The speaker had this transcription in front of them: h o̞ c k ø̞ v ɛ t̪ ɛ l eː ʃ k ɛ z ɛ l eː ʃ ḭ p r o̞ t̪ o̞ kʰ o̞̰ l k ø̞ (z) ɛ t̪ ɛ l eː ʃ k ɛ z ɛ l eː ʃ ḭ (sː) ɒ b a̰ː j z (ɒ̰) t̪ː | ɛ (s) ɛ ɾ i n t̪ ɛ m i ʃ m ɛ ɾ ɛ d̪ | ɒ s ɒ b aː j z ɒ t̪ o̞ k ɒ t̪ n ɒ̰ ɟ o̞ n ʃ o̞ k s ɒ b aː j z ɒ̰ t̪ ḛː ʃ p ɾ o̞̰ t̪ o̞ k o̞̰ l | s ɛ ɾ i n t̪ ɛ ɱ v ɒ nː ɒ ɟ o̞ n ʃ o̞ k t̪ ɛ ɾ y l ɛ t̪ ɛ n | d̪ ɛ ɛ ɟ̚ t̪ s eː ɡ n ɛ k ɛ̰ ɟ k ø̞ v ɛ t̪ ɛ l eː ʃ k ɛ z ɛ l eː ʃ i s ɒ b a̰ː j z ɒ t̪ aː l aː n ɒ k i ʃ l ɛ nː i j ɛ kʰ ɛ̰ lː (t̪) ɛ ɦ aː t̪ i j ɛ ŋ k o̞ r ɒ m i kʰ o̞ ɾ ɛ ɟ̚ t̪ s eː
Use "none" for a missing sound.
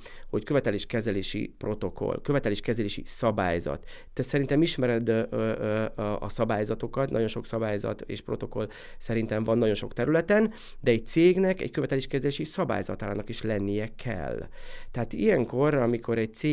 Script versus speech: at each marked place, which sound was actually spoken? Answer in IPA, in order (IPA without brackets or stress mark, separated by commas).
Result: v, s, ɒ̰, s, t̪